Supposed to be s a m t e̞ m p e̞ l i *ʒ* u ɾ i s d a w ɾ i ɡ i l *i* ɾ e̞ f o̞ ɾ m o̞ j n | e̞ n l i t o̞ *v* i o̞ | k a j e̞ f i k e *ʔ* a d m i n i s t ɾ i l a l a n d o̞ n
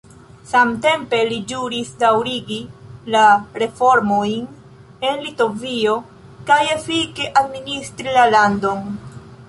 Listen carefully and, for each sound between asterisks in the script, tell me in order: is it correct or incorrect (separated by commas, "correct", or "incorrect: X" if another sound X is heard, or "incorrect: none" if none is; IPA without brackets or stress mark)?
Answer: incorrect: d͡ʒ, incorrect: a, correct, correct